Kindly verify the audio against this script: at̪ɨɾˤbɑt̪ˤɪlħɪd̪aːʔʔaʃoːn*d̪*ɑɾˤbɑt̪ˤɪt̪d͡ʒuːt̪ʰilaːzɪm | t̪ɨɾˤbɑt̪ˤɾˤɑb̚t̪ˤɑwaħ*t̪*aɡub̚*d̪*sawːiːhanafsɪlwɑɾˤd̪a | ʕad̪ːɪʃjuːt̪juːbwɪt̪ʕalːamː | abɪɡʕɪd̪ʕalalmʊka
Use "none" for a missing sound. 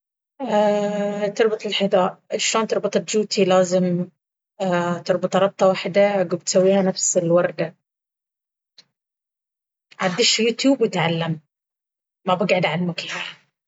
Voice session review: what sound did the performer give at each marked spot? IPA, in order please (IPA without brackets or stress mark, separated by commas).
t̪, d̪, t̪